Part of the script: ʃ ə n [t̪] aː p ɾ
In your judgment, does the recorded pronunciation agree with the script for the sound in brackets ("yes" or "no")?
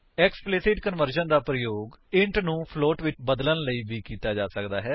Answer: no